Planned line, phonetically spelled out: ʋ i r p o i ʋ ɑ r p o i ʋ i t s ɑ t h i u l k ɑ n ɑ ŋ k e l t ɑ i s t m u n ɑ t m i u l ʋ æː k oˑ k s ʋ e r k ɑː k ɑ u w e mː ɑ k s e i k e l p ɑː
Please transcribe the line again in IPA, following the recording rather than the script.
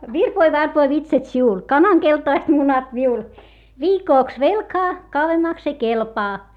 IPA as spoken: ʋ i r p o i ʋ ɑ r p o i ʋ i t s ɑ t s i u l k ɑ n ɑ ŋ k e l t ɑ i s t m u n ɑ t m i u l ʋ iː k oˑ k s ʋ e l k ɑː k ɑ u w e mː ɑ k s e i k e l p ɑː

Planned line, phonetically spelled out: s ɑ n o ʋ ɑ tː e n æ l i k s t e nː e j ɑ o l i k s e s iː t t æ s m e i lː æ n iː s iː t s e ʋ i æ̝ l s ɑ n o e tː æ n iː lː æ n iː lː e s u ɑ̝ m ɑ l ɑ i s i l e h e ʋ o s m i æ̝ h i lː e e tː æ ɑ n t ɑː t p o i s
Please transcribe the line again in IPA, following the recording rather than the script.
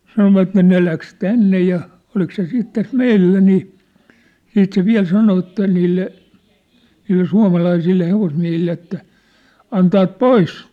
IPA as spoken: s ɑ n o ʋ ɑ tː e n e l æ k s t æ nː e j ɑ o l i k s e s iː t t æ s m e i lː æ n iː s iː t s e ʋ i æ̝ l s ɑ n o e tː æ n iː lː e n iː lː e s u ɑ̝ m ɑ l ɑ i s i lː e h e ʋ o s m i æ̝ h i lː e e tː æ ɑ n t ɑː t p o i s

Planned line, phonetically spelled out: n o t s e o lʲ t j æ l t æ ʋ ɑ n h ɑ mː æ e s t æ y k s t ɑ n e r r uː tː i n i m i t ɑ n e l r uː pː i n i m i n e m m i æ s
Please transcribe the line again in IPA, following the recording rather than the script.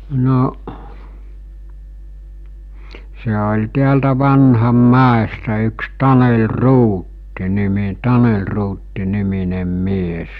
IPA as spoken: n o ʔ s e o lʲ t i æ l t æ ʋ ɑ n h ɑ mː æ e s t æ y k s t ɑ n e l r uː tː i n i m i t ɑ n e l r uː tː i n i m i n e m m i e s

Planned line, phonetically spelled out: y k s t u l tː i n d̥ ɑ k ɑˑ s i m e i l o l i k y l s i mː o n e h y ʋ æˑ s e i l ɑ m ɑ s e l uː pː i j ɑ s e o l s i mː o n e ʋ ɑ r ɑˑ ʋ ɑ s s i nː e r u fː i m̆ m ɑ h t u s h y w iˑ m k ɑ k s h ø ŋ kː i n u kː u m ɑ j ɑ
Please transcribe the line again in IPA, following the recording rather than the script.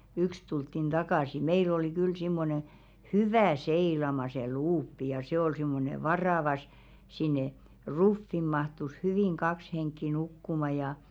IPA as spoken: y k s t u l tː i n d̥ ɑ k ɑˑ s i m e i l o l i k y l s i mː o n e h y ʋ æˑ s e i l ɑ m ɑ s e l uː pː i j ɑ s e o l s i mː o n e ʋ ɑ r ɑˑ ʋ ɑ s s i nː e r u fː i m̆ m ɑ h t u s h y ʋ iˑ ŋ k ɑ k s h e ŋ kː i n u kː u m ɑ j ɑ

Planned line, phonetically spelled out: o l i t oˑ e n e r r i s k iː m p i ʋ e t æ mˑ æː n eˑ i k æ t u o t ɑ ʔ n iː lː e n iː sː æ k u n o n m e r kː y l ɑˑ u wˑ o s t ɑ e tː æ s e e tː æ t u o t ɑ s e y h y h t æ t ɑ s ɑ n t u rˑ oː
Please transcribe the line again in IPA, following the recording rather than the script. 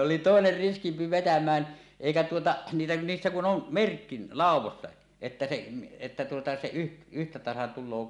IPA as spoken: o l i t oˑ e n e r r i s k i m p i ʋ e t æ mˑ æː n eˑ i k æ t u o t ɑ ʔ n iː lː e n iː sː æ k u n o n m e r kː i l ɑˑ u wˑ o s t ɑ e tː æ s e e tː æ t u o t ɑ s e y h y h t æ t ɑ s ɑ n t u lˑ oː

